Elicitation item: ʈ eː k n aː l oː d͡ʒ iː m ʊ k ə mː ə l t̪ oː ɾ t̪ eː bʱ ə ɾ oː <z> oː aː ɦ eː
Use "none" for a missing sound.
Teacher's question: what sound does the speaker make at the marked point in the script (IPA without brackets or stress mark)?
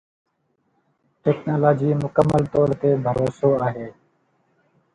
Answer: s